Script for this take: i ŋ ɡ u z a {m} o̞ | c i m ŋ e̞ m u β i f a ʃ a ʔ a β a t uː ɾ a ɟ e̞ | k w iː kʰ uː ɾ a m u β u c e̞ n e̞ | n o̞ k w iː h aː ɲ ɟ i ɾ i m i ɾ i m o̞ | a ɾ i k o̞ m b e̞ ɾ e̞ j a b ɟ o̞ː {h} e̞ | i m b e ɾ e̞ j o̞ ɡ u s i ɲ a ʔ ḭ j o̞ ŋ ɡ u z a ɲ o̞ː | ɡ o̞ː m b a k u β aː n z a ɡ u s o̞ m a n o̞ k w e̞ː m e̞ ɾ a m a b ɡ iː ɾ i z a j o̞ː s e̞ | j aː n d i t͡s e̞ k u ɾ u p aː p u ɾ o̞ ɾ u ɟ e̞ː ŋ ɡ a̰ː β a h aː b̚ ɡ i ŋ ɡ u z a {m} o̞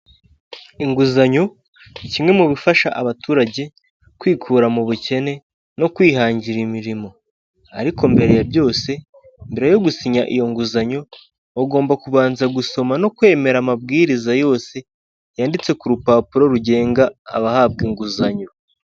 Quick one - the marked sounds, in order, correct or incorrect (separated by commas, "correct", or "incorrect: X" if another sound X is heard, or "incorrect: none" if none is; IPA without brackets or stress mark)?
incorrect: ɲ, incorrect: s, incorrect: ɲ